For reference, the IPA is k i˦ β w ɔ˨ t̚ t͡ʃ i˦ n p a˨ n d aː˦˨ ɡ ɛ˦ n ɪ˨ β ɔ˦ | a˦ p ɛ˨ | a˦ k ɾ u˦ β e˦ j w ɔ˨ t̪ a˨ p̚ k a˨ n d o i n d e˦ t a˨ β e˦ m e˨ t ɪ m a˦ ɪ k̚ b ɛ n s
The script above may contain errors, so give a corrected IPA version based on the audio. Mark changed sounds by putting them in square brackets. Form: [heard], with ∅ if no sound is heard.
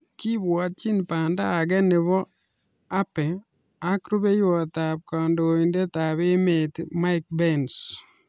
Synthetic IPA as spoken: k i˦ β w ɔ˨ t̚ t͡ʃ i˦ n p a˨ n d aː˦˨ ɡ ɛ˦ n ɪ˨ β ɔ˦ | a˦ p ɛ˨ | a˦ k ɾ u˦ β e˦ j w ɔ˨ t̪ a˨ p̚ k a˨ n d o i n d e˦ t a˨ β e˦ m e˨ t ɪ m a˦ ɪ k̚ b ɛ n s